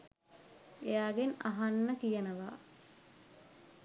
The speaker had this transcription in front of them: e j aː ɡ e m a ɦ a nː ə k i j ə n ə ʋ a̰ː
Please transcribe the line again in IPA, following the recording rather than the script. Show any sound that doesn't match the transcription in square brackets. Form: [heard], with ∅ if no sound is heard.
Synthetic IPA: e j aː ɡ e [n] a ɦ a nː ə k i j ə n ə ʋ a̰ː